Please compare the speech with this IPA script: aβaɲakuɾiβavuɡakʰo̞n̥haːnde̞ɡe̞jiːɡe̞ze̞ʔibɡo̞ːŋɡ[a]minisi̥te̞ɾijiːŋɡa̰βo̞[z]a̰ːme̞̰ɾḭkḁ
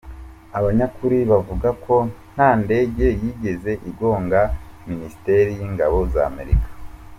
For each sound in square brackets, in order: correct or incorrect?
correct, correct

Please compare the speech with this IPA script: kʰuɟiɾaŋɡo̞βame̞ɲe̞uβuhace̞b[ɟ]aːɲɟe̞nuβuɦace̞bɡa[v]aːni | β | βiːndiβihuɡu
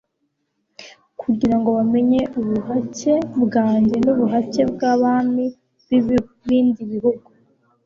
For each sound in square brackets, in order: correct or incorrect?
incorrect, incorrect

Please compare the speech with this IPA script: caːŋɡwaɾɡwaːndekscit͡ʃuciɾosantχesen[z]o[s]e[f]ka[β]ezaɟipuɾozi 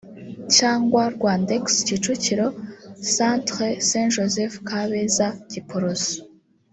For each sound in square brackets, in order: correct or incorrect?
incorrect, incorrect, correct, correct

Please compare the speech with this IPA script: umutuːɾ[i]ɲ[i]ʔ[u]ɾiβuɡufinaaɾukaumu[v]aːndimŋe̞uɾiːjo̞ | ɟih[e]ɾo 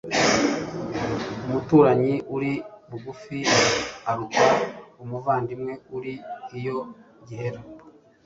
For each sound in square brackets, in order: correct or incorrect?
incorrect, correct, correct, correct, correct

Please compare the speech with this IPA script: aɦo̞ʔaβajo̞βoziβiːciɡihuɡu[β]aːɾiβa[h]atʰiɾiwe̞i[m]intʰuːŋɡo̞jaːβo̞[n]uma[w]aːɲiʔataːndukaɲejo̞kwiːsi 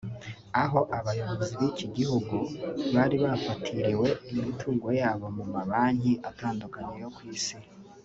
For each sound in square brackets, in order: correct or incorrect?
correct, incorrect, correct, incorrect, incorrect

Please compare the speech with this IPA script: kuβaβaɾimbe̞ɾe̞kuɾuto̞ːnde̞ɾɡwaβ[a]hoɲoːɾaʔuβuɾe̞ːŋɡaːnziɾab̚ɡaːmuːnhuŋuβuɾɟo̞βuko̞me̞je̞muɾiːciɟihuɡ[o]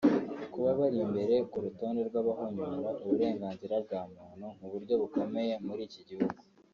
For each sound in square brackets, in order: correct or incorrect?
correct, incorrect

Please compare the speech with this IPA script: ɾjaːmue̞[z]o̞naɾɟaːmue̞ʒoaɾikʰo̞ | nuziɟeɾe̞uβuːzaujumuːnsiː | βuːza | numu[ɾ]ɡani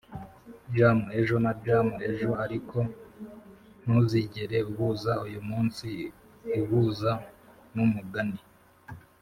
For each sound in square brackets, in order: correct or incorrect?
incorrect, incorrect

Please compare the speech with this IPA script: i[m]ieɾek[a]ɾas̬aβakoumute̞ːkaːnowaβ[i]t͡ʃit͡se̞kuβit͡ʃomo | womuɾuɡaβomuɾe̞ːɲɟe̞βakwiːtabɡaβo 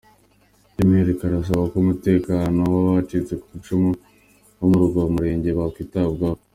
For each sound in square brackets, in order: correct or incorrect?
correct, correct, incorrect

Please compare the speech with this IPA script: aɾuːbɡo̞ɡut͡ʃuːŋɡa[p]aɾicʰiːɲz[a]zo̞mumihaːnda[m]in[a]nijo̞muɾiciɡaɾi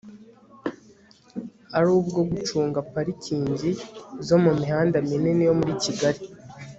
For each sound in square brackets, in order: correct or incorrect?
correct, incorrect, correct, incorrect

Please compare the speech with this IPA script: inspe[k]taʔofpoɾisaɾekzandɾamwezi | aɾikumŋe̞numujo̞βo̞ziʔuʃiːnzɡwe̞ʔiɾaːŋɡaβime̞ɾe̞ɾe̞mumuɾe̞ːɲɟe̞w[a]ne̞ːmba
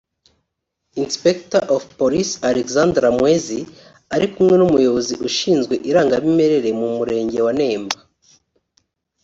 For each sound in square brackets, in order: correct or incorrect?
correct, correct

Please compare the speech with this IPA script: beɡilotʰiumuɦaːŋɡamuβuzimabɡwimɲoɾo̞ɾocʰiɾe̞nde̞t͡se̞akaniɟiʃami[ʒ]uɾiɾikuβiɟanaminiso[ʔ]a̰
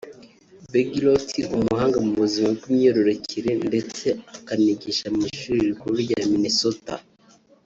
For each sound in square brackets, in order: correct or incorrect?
incorrect, incorrect

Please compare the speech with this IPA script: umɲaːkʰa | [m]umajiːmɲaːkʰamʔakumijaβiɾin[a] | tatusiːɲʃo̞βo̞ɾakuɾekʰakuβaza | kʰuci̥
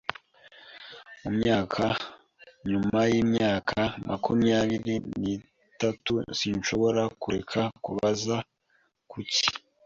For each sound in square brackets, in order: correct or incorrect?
incorrect, incorrect

